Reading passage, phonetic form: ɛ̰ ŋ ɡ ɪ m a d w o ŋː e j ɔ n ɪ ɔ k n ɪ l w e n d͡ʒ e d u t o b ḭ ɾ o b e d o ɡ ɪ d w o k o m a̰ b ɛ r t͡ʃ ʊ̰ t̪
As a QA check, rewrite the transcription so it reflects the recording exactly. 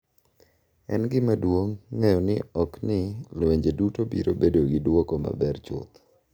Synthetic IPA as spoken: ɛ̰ n ɡ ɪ m a d w o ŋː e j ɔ n ɪ ɔ k n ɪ l w e ɲ d͡ʒ e d u t o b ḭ ɾ o b e d o ɡ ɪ d w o k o m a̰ b ɛ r t͡ʃ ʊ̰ t̪